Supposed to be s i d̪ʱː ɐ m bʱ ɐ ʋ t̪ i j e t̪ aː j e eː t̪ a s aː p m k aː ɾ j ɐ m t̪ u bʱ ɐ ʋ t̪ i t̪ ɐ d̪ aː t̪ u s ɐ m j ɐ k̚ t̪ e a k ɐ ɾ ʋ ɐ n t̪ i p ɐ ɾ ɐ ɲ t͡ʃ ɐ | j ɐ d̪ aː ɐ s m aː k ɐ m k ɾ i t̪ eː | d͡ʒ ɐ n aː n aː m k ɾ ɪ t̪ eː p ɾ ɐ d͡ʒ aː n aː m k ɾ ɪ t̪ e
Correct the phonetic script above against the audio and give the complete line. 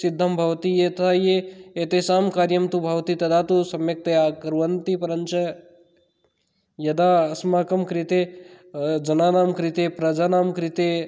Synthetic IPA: s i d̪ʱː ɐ m bʱ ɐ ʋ t̪ i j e t̪ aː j e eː t̪ e s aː m k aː ɾ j ɐ m t̪ u bʱ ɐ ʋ t̪ i t̪ ɐ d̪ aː t̪ u s ɐ m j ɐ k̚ t̪ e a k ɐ ɾ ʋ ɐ n t̪ i p ɐ ɾ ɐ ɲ t͡ʃ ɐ | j ɐ d̪ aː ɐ s m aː k ɐ m k ɾ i t̪ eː | d͡ʒ ɐ n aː n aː m k ɾ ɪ t̪ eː p ɾ ɐ d͡ʒ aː n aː m k ɾ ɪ t̪ e

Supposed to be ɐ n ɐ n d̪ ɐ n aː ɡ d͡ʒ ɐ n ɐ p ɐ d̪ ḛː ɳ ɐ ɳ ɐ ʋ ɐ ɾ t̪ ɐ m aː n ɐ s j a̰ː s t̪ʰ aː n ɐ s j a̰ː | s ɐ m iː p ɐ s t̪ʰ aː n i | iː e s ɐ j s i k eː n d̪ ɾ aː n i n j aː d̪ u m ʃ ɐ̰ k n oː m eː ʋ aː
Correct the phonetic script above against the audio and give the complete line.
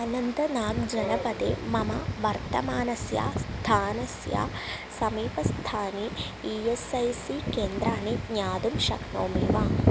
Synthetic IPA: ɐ n ɐ n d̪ ɐ n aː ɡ d͡ʒ ɐ n ɐ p ɐ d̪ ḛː m ɐ m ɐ ʋ ɐ ɾ t̪ ɐ m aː n ɐ s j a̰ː s t̪ʰ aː n ɐ s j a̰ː | s ɐ m iː p ɐ s t̪ʰ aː n i | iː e s ɐ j s i k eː n d̪ ɾ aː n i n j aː d̪ u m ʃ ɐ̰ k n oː m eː ʋ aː

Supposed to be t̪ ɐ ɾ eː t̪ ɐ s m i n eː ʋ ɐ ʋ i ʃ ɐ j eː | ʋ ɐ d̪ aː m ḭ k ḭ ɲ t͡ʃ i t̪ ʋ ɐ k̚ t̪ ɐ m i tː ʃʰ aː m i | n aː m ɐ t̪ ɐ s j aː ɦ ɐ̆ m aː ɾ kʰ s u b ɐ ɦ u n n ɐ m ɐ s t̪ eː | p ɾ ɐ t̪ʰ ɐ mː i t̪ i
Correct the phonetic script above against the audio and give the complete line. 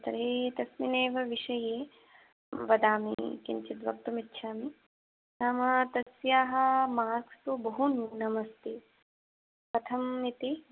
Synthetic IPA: t̪ ɐ ɾ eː t̪ ɐ s m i n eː ʋ ɐ ʋ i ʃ ɐ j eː | ʋ ɐ d̪ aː m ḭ k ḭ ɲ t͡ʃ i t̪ ʋ ɐ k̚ t̪ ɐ m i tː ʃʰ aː m i | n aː m ɐ t̪ ɐ s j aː ɦ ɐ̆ m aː ɾ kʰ s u b ɐ ɦ u n n ɐ m ɐ s t̪ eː | p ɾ ɐ t̪ʰ ɐ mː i t̪ i

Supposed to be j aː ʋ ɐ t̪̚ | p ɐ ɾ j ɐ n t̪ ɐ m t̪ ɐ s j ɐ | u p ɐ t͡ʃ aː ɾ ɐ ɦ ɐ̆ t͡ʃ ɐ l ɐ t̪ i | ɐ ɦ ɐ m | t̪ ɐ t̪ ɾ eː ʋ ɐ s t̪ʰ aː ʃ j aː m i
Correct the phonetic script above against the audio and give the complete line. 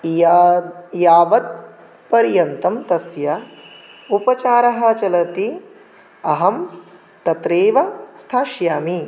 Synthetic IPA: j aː ʋ ɐ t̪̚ | p ɐ ɾ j ɐ n t̪ ɐ m t̪ ɐ s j ɐ | u p ɐ t͡ʃ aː ɾ ɐ ɦ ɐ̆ t͡ʃ ɐ l ɐ t̪ i | ɐ ɦ ɐ m | t̪ ɐ t̪ ɾ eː ʋ ɐ s t̪ʰ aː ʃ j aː m i

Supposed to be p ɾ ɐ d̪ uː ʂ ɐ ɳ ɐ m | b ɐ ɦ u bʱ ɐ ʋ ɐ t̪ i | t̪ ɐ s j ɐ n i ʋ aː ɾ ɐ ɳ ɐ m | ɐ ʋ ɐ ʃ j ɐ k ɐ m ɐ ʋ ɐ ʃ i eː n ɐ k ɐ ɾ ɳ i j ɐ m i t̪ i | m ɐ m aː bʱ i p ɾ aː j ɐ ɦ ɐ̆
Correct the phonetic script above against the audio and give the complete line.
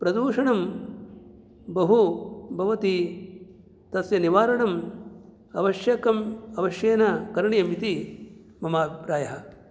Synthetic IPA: p ɾ ɐ d̪ uː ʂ ɐ ɳ ɐ m | b ɐ ɦ u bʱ ɐ ʋ ɐ t̪ i | t̪ ɐ s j ɐ n i ʋ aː ɾ ɐ ɳ ɐ m | ɐ ʋ ɐ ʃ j ɐ k ɐ m ɐ ʋ ɐ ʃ j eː n ɐ k ɐ ɾ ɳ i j ɐ m i t̪ i | m ɐ m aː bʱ i p ɾ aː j ɐ ɦ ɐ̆

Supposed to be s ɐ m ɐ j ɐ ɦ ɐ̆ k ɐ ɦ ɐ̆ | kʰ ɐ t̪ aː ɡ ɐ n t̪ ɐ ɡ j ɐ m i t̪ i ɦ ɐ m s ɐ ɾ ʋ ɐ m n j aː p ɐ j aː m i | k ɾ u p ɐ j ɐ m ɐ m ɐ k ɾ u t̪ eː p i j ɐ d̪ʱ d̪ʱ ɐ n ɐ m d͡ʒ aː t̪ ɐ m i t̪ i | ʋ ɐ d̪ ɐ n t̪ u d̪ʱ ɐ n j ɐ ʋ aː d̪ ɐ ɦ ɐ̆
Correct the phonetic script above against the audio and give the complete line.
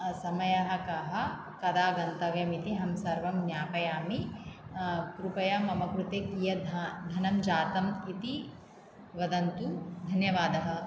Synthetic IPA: s ɐ m ɐ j ɐ ɦ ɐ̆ k ɐ ɦ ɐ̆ | k ɐ d̪ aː ɡ ɐ n t̪ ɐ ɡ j ɐ m i t̪ i ɦ ɐ m s ɐ ɾ ʋ ɐ m n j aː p ɐ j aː m i | k ɾ u p ɐ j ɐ m ɐ m ɐ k ɾ u t̪ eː k i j ɐ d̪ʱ d̪ʱ ɐ n ɐ m d͡ʒ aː t̪ ɐ m i t̪ i | ʋ ɐ d̪ ɐ n t̪ u d̪ʱ ɐ n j ɐ ʋ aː d̪ ɐ ɦ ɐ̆

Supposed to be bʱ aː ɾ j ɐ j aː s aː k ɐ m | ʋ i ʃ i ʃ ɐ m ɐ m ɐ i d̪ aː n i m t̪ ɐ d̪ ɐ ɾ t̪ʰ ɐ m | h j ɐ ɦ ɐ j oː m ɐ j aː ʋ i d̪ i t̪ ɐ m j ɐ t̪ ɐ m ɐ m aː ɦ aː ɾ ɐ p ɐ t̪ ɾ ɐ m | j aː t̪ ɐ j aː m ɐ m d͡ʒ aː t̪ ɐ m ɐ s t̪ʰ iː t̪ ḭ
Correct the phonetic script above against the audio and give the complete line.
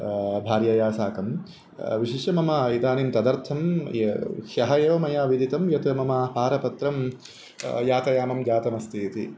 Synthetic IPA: bʱ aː ɾ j ɐ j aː s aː k ɐ m | ʋ i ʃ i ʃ ɐ m ɐ m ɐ i d̪ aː n i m t̪ ɐ d̪ ɐ ɾ t̪ʰ ɐ m | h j ɐ ɦ ɐ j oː m ɐ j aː ʋ i d̪ i t̪ ɐ m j ɐ t̪ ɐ m ɐ m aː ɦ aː ɾ ɐ p ɐ t̪ ɾ ɐ m | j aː t̪ ɐ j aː m ɐ m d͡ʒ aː t̪ ɐ m ɐ s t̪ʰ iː t̪ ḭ

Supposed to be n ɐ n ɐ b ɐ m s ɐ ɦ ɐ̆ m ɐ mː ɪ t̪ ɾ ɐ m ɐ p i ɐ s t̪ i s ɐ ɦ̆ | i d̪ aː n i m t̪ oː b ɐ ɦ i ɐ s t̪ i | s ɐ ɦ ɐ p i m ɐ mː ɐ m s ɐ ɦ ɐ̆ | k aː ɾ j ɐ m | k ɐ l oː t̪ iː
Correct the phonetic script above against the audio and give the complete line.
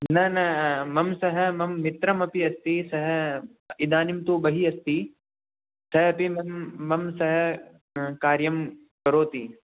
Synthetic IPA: n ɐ n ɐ m ɐ m s ɐ ɦ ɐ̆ m ɐ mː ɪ t̪ ɾ ɐ m ɐ p i ɐ s t̪ i s ɐ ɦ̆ | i d̪ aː n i m t̪ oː b ɐ ɦ i ɐ s t̪ i | s ɐ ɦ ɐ p i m ɐ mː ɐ m s ɐ ɦ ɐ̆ | k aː ɾ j ɐ m | k ɐ ɾ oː t̪ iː

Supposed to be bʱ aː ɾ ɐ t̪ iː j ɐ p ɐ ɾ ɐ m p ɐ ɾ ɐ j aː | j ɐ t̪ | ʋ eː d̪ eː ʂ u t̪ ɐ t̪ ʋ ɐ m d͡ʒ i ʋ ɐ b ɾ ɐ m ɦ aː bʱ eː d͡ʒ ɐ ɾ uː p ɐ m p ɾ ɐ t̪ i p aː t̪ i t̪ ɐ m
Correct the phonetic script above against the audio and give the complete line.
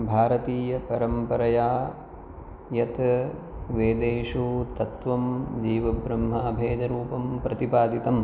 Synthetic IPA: bʱ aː ɾ ɐ t̪ iː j ɐ p ɐ ɾ ɐ m p ɐ ɾ ɐ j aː | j ɐ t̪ | ʋ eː d̪ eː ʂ u t̪ ɐ t̪ ʋ ɐ m d͡ʒ iː ʋ ɐ b ɾ ɐ m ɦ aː bʱ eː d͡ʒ ɐ ɾ uː p ɐ m p ɾ ɐ t̪ i p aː d̪ i t̪ ɐ m

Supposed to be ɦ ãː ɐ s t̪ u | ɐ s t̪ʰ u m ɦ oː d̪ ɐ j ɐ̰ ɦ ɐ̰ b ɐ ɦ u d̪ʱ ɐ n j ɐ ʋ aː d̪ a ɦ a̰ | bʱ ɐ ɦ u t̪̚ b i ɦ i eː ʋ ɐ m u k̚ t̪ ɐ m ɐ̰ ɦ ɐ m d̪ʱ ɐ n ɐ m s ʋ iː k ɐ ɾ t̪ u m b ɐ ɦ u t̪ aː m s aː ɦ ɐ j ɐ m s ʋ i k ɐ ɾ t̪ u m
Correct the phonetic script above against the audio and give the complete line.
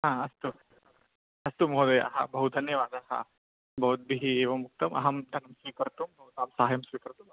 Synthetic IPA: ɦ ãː ɐ s t̪ u | ɐ s t̪ u m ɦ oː d̪ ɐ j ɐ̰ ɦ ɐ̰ b ɐ ɦ u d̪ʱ ɐ n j ɐ ʋ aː d̪ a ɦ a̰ | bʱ ɐ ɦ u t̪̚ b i ɦ i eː ʋ ɐ m u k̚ t̪ ɐ m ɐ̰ ɦ ɐ m d̪ʱ ɐ n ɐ m s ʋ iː k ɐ ɾ t̪ u m b ɐ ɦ u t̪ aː m s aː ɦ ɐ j ɐ m s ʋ i k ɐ ɾ t̪ u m

